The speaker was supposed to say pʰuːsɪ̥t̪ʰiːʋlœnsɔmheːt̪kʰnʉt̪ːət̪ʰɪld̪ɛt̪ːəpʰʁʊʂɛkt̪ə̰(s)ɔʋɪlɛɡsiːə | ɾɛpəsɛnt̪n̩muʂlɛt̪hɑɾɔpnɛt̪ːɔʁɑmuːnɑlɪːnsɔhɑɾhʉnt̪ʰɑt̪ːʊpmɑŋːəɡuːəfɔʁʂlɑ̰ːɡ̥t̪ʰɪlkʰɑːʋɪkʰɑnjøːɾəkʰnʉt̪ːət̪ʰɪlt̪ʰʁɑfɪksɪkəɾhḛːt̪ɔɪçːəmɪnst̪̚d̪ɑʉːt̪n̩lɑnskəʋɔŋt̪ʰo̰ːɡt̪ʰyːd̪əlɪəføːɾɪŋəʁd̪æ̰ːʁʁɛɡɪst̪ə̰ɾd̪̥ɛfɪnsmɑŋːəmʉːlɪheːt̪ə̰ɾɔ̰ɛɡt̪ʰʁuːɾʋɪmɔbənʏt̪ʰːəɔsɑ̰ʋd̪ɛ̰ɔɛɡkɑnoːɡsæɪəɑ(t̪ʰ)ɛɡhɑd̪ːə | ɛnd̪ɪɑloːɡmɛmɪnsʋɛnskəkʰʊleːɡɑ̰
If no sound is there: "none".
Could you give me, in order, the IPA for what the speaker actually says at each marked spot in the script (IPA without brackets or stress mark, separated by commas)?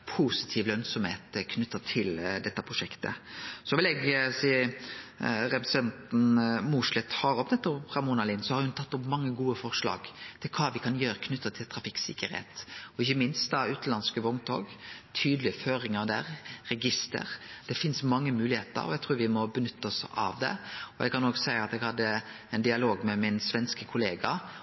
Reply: s, t̪